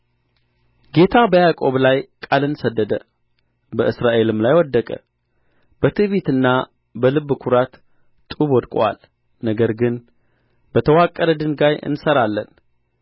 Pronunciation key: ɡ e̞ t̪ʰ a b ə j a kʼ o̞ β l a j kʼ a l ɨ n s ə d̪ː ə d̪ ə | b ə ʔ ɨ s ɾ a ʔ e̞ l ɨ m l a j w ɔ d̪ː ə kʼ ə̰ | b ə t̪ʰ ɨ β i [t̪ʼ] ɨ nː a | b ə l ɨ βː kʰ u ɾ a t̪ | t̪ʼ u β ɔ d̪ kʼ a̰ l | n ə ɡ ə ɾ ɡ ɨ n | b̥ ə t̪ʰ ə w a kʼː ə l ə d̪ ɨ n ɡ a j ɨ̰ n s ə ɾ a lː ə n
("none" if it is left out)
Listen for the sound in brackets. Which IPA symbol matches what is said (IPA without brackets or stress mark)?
t̪